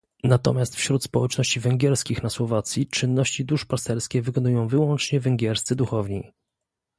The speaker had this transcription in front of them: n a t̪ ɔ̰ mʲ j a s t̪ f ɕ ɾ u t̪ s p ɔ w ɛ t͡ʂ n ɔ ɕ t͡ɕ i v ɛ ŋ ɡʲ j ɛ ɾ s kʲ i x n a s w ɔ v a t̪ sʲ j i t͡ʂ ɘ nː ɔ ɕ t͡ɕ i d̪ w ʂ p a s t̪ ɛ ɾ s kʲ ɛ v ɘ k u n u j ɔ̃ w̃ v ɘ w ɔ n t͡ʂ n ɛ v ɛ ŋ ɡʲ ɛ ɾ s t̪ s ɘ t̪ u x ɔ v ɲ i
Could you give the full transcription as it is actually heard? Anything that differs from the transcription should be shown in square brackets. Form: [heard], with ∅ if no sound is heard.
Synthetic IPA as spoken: n a t̪ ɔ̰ mʲ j a s t̪ f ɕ ɾ u t̪ s p ɔ w ɛ t͡ʂ n ɔ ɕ t͡ɕ i v ɛ ŋ ɡʲ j ɛ ɾ s kʲ i x n a s w ɔ v a t̪ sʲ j i t͡ʂ ɘ nː ɔ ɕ t͡ɕ i d̪ [u] ʂ p a s t̪ ɛ ɾ s kʲ ɛ v ɘ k [ɔ] n u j ɔ̃ w̃ v ɘ w ɔ n t͡ʂ [ɲ] ɛ v ɛ ŋ ɡʲ ɛ ɾ s t̪ s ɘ [d̪] u x ɔ v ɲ i